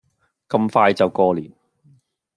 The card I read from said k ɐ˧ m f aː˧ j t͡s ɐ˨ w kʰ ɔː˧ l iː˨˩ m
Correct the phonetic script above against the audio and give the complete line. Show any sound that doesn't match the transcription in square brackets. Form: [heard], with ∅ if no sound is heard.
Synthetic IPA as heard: k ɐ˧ m f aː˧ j t͡s ɐ˨ w [k] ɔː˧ l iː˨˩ [n]